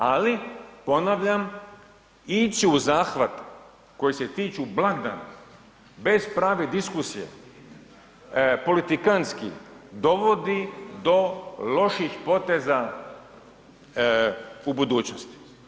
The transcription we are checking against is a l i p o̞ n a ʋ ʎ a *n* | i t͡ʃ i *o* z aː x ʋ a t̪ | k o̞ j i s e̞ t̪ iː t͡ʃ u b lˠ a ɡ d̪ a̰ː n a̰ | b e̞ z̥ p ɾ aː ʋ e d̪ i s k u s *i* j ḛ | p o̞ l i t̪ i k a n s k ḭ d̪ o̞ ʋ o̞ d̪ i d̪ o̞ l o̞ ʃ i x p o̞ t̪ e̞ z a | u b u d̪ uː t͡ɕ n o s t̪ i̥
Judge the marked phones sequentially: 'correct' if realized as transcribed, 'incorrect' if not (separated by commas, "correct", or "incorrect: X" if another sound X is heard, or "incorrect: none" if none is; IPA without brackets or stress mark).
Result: incorrect: m, incorrect: u, correct